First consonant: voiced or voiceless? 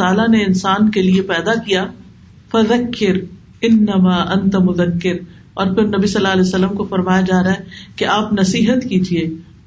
voiced